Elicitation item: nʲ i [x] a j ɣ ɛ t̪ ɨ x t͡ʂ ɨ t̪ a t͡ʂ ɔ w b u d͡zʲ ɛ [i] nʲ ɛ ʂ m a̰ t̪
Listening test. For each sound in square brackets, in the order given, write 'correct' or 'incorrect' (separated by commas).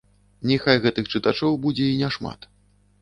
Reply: correct, correct